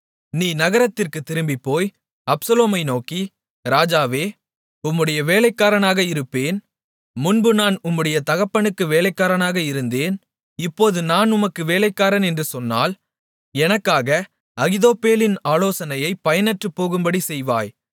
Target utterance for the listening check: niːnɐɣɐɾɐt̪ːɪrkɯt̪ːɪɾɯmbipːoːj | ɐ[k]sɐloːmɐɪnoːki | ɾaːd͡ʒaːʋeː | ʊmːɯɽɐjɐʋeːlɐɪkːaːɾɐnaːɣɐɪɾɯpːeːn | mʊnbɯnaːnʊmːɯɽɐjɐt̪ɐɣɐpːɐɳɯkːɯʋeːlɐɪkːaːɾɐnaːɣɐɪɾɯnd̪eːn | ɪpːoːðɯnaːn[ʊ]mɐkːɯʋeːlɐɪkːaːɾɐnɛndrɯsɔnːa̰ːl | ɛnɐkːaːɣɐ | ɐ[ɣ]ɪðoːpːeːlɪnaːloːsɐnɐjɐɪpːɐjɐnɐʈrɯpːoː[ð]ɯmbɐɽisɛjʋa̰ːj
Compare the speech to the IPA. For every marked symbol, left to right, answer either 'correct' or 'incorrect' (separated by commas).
incorrect, correct, correct, incorrect